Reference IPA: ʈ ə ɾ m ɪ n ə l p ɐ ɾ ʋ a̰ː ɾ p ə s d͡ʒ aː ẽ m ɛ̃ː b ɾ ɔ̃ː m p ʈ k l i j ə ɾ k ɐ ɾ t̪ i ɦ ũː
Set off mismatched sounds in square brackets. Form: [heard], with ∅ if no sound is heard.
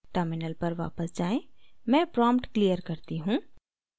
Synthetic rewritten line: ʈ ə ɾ m ɪ n ə l p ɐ ɾ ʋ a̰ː [∅] p ə s d͡ʒ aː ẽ m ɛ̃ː [p] ɾ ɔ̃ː m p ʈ k l i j ə ɾ k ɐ ɾ t̪ i ɦ ũː